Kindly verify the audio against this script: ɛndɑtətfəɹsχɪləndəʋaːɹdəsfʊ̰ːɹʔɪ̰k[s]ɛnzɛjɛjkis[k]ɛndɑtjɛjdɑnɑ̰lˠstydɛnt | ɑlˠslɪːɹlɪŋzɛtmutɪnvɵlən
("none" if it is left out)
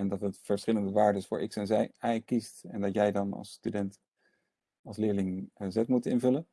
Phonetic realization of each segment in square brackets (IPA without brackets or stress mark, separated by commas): s, t